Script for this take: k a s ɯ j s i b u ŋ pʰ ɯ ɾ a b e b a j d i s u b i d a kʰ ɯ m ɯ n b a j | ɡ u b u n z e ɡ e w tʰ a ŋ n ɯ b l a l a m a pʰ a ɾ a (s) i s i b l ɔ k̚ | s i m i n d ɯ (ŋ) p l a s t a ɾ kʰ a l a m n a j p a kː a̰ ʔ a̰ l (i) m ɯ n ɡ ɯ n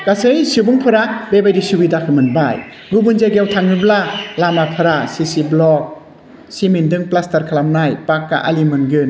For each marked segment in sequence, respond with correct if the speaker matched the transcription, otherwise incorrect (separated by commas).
correct, correct, correct